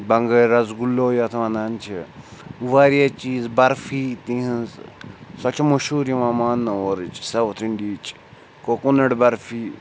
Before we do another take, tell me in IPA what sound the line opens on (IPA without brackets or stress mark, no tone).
b